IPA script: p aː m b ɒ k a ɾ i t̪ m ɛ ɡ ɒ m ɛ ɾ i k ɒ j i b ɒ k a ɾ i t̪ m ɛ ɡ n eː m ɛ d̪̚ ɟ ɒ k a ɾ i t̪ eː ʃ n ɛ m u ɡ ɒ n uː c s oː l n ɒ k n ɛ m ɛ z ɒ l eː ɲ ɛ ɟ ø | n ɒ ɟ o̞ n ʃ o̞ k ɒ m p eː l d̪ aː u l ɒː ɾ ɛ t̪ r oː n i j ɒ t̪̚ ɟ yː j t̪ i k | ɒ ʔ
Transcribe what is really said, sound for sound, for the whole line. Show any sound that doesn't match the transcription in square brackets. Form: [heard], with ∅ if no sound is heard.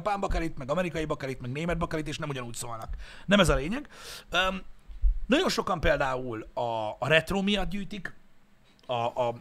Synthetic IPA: p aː m b ɒ k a ɾ i t̪ m ɛ ɡ ɒ m ɛ ɾ i k ɒ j i b ɒ k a ɾ i t̪ m ɛ ɡ n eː m ɛ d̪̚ [b] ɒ k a ɾ i t̪ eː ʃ n ɛ m u [ɟ] ɒ n uː c s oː l n ɒ k n ɛ m ɛ z ɒ l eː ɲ ɛ [ɡ] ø | n ɒ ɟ o̞ n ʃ o̞ k ɒ m p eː l d̪ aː u l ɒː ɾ ɛ t̪ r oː [m] i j ɒ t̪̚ ɟ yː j t̪ i k | ɒ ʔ